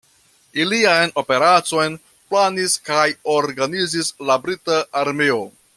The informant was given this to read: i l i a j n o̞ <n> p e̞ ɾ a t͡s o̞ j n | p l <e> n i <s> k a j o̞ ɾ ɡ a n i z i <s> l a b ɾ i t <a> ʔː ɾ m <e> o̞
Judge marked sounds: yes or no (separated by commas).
no, no, yes, yes, yes, yes